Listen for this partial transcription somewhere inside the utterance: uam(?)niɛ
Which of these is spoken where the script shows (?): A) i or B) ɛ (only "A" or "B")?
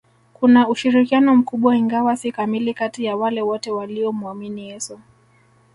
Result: A